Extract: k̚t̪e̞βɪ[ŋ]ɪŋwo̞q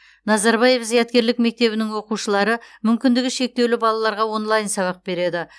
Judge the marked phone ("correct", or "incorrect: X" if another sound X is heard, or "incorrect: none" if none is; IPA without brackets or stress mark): incorrect: n